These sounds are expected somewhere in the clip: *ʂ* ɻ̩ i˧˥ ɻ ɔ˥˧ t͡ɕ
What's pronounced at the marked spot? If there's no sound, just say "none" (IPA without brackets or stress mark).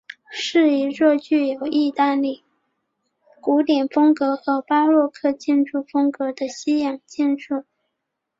ʂ